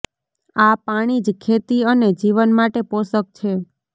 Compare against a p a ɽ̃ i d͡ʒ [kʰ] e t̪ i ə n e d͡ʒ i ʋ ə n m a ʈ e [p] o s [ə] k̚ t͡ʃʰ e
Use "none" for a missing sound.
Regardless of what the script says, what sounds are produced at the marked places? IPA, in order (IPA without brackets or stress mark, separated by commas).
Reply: kʰ, p, ə